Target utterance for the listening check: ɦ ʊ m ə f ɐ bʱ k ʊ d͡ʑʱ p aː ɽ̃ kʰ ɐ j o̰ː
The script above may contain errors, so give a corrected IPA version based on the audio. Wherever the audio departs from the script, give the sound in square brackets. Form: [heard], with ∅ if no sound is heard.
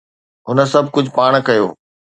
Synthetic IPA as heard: ɦ ʊ [n] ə [s] ɐ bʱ k ʊ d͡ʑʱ p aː ɽ̃ [k] ɐ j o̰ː